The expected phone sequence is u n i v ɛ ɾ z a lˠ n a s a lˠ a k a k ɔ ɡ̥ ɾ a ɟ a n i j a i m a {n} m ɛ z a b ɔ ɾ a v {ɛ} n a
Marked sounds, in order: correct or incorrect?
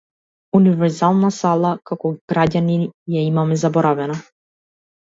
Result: incorrect: none, correct

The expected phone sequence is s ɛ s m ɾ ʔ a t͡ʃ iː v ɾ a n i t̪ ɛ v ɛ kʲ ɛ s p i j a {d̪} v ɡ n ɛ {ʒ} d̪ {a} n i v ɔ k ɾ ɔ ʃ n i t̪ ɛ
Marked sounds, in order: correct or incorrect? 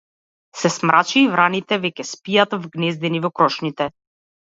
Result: incorrect: t̪, incorrect: z, incorrect: ɛ

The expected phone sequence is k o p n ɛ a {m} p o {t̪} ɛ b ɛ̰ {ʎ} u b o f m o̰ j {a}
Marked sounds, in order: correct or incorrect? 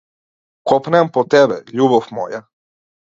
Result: correct, correct, correct, correct

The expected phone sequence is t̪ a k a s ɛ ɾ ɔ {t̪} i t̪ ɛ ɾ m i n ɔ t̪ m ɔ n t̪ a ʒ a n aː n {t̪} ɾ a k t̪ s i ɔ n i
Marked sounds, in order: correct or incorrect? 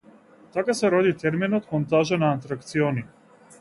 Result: incorrect: d̪, correct

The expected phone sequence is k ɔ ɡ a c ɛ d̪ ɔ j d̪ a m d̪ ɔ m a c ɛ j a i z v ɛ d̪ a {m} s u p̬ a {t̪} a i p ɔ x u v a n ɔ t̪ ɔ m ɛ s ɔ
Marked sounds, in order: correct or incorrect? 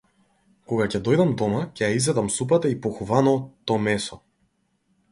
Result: correct, correct

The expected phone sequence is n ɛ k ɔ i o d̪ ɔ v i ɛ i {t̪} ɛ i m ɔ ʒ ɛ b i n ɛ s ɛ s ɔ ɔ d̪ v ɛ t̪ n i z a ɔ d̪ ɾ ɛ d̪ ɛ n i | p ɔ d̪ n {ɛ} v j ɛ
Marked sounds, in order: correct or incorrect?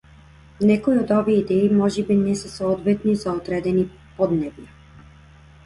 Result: incorrect: d̪, correct

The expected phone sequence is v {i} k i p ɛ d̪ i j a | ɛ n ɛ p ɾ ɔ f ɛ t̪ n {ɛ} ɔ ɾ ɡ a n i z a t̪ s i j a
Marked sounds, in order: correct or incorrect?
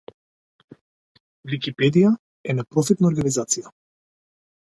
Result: correct, incorrect: a

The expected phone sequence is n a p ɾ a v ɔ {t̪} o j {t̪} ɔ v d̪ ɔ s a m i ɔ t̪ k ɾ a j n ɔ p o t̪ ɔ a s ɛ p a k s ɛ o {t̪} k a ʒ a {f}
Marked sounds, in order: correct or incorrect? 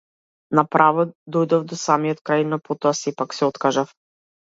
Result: incorrect: d̪, incorrect: d̪, correct, correct

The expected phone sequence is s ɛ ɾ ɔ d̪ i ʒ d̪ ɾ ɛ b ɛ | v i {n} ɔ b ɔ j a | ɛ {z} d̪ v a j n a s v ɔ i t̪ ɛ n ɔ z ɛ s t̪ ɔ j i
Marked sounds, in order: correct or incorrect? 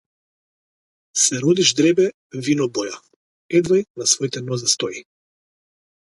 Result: correct, incorrect: none

